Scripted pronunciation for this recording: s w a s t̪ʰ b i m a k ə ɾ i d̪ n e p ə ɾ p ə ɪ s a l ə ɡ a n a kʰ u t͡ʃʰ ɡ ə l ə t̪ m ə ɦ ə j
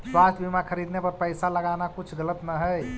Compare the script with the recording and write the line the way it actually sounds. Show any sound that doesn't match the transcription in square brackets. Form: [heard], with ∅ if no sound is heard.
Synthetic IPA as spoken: s w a s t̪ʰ b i m a [kʰ] ə ɾ i d̪ n e p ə ɾ p ə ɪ s a l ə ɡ a n a [k] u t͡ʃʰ ɡ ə l ə t̪ [n] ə ɦ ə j

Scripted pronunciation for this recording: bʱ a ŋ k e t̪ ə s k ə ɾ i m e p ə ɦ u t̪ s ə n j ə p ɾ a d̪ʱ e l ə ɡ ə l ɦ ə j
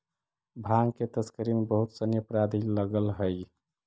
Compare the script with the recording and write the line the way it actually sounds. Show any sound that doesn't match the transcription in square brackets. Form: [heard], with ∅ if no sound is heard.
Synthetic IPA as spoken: bʱ a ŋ k e t̪ ə s k ə ɾ i m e [b] ə ɦ u t̪ s ə n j ə p ɾ a d̪ʱ [i] l ə ɡ ə l ɦ ə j

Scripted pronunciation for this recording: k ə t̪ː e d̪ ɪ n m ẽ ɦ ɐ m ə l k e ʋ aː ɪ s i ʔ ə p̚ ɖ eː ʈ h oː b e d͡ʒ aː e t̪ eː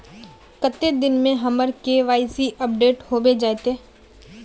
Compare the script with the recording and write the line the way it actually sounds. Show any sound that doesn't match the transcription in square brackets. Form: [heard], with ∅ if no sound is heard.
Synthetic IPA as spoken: k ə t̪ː e d̪ ɪ n m ẽ ɦ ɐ m ə [ɾ] k e ʋ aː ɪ s i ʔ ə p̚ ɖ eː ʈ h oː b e d͡ʒ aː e t̪ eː

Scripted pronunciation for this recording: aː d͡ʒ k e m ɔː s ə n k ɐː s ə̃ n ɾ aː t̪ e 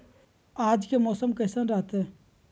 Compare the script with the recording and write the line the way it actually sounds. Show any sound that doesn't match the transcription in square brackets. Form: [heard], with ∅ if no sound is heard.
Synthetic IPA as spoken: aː d͡ʒ k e m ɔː s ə [m] k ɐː s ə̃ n ɾ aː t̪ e

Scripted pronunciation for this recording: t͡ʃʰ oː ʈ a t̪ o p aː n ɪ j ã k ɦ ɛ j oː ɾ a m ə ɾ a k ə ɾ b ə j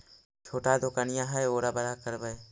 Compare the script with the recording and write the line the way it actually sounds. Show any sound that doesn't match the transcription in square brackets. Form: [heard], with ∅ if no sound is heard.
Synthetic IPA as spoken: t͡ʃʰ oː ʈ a [d̪] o [k] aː n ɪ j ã [∅] ɦ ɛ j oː ɾ a [b] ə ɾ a k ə ɾ b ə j

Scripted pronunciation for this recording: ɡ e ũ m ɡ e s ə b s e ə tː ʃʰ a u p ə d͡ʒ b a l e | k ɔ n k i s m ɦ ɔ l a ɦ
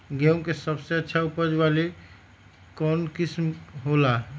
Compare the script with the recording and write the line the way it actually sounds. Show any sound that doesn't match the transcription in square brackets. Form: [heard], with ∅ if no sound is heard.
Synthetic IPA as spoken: ɡ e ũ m [k] e s ə b s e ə tː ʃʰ a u p ə d͡ʒ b a l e | k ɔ n k i s m ɦ [o] l a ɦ

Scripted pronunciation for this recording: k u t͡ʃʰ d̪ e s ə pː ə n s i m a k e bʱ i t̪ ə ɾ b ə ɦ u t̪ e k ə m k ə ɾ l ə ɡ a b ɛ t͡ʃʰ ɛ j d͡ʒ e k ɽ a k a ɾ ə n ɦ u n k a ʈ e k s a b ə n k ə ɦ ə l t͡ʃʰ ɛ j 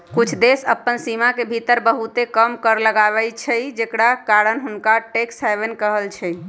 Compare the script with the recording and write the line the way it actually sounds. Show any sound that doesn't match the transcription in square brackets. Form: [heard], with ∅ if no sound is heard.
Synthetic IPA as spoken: k u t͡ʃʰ d̪ e s ə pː ə n s i m a k e bʱ i t̪ ə ɾ b ə ɦ u t̪ e k ə m k ə ɾ l ə ɡ a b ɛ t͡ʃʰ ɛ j d͡ʒ e k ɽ a k a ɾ ə n ɦ u n k a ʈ e k s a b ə n k ə ɦ ə l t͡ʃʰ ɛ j

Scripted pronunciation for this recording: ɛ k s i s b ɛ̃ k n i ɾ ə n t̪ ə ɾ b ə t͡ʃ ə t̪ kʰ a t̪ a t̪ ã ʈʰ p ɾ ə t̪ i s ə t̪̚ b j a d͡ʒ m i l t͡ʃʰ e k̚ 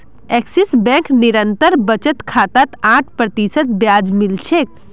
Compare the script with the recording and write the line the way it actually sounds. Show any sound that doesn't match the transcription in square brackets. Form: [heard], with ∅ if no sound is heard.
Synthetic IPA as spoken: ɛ k s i s b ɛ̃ k n i ɾ ə n t̪ ə ɾ b ə t͡ʃ ə t̪ kʰ a t̪ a t̪ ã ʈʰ p ɾ ə t̪ i s ə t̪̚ b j a d͡ʒ m i l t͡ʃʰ e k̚

